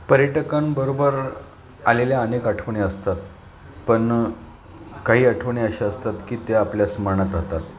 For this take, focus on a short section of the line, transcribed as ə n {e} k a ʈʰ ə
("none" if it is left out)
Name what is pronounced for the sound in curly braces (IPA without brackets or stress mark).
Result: e